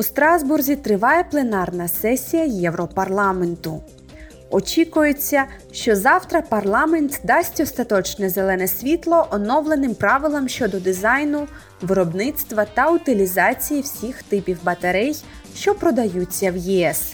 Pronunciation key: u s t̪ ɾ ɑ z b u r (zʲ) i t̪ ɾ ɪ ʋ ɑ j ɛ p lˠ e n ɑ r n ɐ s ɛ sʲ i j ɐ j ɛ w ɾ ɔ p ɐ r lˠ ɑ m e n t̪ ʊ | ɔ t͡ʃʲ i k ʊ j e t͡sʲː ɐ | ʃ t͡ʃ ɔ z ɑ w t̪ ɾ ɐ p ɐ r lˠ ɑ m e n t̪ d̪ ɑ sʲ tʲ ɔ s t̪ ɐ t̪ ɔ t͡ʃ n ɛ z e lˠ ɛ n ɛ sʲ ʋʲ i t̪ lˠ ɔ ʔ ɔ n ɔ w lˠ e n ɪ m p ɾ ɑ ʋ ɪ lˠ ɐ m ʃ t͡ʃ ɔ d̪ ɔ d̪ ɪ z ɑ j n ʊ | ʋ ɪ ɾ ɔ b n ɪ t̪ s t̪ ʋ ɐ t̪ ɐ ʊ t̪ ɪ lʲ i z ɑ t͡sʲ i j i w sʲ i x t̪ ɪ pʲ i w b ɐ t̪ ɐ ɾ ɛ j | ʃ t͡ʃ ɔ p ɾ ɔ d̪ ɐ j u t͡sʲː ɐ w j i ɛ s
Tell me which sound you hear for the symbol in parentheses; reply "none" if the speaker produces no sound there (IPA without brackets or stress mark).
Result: zʲ